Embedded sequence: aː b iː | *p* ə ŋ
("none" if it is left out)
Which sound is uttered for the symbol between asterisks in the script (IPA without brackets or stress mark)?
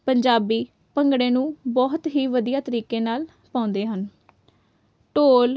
p